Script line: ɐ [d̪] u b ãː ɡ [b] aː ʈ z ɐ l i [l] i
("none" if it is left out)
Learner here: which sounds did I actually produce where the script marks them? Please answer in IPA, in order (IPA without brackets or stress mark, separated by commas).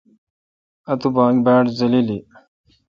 t̪, b, l